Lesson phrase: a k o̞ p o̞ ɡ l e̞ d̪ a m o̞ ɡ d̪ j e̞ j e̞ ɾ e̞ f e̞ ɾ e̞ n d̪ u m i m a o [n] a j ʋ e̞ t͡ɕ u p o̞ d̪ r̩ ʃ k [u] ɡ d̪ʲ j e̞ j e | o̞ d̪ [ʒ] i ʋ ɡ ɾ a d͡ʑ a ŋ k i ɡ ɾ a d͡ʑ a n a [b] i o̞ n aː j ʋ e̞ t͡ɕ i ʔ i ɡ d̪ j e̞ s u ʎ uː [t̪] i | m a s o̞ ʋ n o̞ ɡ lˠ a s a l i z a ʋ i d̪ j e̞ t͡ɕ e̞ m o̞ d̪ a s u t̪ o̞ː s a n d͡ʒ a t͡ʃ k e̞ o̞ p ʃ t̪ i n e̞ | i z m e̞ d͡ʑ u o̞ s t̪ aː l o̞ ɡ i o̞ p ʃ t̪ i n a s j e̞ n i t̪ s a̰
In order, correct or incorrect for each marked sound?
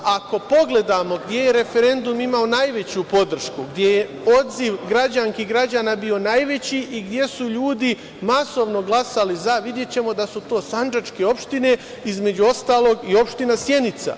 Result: correct, correct, incorrect: z, correct, incorrect: d̪

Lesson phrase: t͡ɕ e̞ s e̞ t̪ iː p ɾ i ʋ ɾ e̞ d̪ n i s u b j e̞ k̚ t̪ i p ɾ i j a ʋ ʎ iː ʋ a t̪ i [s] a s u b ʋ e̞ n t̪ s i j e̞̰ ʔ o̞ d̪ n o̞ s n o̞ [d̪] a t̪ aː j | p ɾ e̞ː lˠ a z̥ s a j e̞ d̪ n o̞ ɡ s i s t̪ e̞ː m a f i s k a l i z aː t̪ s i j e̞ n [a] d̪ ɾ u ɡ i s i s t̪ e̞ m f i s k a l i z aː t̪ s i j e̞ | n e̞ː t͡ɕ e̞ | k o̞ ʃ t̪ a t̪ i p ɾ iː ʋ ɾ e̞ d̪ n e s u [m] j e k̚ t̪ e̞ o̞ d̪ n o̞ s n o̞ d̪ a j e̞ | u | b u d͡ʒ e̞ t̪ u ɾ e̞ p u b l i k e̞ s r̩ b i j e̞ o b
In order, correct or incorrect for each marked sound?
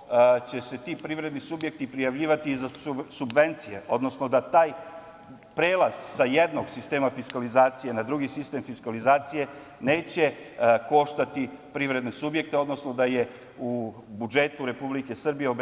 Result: incorrect: z, correct, correct, incorrect: b

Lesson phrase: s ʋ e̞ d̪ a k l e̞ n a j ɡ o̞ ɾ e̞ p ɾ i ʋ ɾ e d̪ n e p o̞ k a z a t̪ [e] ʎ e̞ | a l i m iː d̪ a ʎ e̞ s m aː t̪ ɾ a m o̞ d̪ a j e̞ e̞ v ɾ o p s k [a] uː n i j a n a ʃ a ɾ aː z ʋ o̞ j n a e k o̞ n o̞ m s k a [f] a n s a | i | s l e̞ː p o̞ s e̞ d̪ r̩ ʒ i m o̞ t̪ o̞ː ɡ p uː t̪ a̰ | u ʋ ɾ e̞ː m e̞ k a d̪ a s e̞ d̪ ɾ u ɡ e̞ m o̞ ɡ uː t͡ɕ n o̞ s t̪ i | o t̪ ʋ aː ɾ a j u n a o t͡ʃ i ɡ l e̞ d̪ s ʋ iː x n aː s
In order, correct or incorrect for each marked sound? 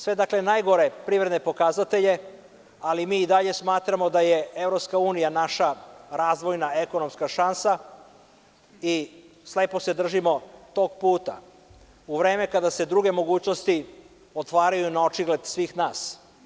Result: correct, correct, incorrect: ʃ

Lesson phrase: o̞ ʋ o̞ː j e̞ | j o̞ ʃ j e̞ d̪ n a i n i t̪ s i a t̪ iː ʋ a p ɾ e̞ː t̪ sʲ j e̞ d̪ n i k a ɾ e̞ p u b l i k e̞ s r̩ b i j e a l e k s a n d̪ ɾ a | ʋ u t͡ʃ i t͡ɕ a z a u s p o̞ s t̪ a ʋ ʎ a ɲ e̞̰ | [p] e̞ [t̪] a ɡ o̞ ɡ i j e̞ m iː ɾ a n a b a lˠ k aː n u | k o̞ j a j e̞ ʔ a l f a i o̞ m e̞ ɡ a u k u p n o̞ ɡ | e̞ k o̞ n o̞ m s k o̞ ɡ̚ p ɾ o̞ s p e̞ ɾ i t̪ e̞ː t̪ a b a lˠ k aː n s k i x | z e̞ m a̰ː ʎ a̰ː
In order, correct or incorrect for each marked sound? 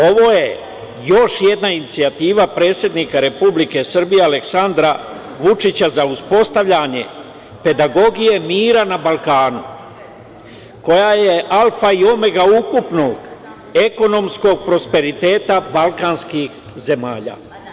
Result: correct, incorrect: d̪

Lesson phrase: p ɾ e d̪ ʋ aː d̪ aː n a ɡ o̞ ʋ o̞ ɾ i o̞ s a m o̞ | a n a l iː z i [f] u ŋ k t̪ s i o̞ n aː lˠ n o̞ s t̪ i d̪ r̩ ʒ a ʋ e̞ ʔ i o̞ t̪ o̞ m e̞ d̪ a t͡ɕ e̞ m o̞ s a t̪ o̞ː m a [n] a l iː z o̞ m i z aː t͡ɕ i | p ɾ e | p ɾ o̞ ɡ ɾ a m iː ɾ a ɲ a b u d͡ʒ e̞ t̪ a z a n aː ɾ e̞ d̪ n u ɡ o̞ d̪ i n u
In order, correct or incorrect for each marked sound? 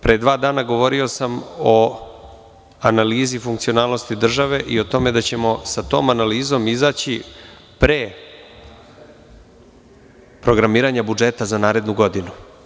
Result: correct, correct

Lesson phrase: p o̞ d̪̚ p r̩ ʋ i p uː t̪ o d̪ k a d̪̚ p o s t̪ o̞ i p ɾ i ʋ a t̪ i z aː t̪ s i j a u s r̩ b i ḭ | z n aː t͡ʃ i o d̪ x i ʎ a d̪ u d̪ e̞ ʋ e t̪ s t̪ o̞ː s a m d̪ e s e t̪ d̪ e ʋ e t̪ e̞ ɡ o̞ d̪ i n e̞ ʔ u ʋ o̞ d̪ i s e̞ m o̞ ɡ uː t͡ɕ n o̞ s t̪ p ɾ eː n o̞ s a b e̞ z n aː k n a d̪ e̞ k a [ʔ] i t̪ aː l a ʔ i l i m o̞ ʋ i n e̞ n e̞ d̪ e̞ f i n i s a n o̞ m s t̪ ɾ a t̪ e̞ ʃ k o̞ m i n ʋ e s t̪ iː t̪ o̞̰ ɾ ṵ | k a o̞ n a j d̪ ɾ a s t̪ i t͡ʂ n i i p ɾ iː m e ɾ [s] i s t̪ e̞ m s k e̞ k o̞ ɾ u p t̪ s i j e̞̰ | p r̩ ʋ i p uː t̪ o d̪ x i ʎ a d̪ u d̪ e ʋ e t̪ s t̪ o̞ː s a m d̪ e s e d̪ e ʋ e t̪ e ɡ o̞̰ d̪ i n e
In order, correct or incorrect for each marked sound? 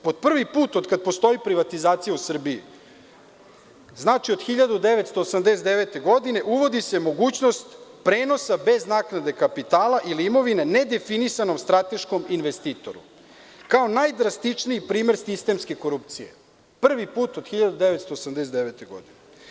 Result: incorrect: p, correct

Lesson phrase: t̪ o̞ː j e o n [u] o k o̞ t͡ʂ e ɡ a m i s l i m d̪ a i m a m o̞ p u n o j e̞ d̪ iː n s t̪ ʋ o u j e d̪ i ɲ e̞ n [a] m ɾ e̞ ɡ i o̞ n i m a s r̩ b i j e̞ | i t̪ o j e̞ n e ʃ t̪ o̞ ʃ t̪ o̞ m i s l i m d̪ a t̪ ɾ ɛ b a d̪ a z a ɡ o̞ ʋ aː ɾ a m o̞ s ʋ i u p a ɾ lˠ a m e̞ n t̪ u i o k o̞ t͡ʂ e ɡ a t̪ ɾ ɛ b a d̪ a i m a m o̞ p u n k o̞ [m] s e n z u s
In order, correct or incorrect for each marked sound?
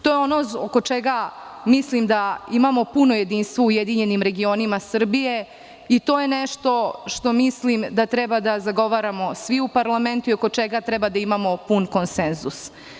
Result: incorrect: o, incorrect: i, incorrect: n

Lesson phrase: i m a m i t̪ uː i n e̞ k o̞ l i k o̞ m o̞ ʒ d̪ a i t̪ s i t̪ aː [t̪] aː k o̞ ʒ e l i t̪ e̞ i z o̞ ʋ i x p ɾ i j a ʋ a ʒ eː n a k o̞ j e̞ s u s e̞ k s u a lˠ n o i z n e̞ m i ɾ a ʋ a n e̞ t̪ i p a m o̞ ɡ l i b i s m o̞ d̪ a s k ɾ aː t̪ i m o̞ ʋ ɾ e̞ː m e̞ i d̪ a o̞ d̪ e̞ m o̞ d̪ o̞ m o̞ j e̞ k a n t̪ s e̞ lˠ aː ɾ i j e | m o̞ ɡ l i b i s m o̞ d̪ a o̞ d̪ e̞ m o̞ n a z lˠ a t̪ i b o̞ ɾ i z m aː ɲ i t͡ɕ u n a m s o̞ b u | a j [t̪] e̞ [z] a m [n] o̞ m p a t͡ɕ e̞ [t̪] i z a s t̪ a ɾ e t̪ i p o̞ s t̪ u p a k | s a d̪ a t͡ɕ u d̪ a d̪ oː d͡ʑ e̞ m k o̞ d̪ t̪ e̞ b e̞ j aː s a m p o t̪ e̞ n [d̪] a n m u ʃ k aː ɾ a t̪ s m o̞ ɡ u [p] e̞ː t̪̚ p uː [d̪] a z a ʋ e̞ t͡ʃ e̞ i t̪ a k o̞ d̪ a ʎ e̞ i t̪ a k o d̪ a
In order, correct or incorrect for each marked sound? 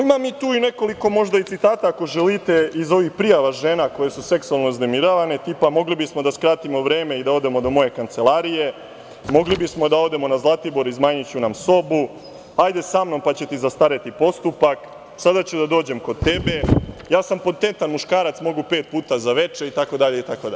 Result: correct, incorrect: d̪, incorrect: s, correct, correct, incorrect: t̪, correct, incorrect: t̪

